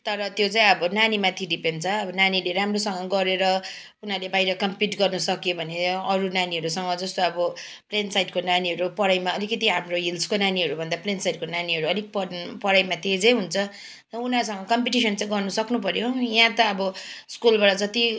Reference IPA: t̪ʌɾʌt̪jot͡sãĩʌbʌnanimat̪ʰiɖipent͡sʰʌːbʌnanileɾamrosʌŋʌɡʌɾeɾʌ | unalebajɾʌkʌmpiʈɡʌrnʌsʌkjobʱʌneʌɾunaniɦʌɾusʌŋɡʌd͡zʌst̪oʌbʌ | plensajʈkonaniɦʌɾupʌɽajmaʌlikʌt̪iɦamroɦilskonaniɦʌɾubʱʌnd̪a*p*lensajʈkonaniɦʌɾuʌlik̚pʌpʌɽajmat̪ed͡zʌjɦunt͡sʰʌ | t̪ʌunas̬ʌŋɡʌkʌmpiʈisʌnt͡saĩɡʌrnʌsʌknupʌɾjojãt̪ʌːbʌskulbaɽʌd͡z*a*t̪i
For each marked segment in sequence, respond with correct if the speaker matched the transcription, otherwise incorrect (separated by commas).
correct, incorrect